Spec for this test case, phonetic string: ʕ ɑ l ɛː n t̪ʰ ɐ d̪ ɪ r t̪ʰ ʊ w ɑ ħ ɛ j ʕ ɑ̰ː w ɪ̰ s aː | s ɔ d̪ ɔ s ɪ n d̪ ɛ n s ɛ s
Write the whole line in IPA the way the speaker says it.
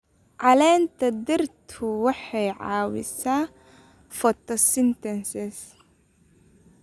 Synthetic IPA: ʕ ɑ l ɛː n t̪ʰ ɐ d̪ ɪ r t̪ʰ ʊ w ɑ ħ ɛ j ʕ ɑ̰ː w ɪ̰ s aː | f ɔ t̪ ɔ s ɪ n t̪ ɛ n s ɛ s